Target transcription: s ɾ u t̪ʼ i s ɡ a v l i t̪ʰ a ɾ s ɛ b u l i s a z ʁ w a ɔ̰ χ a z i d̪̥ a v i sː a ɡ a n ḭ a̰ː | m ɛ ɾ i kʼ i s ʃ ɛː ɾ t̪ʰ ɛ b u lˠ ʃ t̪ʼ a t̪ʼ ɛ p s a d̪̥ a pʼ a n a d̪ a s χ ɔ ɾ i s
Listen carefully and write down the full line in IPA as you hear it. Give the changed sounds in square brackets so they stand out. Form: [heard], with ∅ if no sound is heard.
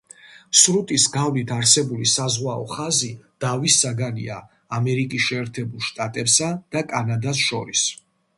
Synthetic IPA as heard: s ɾ u t̪ʼ i s ɡ a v l i t̪ʰ a ɾ s ɛ b u l i s a z ʁ w a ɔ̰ χ a z i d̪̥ a v i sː a ɡ a n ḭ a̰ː | m ɛ ɾ i kʼ i s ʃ ɛː ɾ t̪ʰ ɛ b u lˠ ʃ t̪ʼ a t̪ʼ ɛ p s a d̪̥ a [kʼ] a n a d̪ a s [ʃ] ɔ ɾ i s